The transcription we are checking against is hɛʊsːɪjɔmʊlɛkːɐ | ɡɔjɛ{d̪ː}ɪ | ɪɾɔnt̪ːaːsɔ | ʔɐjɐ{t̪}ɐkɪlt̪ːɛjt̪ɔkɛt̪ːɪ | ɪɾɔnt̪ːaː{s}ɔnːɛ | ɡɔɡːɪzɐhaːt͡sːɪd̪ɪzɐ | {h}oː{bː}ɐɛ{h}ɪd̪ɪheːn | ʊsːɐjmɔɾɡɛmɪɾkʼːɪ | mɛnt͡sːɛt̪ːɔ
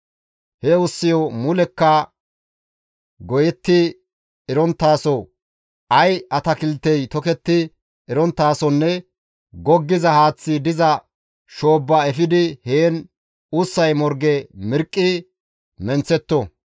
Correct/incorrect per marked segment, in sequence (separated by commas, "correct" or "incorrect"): incorrect, correct, correct, incorrect, correct, incorrect